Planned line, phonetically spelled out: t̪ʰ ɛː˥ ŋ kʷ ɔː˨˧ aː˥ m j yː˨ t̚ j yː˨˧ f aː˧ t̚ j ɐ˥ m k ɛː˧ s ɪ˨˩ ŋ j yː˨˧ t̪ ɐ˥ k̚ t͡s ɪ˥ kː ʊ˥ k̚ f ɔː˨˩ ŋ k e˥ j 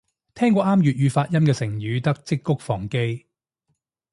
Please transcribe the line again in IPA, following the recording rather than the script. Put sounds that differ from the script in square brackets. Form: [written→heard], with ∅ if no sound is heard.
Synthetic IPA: t̪ʰ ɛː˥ ŋ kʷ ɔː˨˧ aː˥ m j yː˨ t̚ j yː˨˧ f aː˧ t̚ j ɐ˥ m k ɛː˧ s ɪ˨˩ ŋ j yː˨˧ t̪ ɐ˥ k̚ t͡s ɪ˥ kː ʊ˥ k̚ f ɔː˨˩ ŋ k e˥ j